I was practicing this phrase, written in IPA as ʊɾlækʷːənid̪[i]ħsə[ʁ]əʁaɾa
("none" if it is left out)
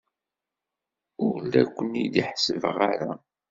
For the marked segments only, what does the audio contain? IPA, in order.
i, v

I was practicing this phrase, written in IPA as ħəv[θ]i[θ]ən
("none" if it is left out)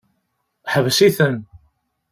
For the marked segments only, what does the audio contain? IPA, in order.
s, θ

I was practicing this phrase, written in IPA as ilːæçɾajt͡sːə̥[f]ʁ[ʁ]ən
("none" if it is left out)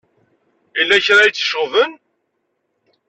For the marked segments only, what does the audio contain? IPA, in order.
ʃ, v

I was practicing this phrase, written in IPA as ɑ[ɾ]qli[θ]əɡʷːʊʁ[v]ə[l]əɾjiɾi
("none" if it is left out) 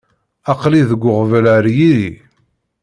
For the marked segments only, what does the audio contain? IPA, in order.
none, ð, v, l

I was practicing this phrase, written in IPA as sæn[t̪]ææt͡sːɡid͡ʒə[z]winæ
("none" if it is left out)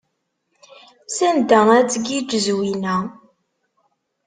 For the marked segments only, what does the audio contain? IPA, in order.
d̪, z

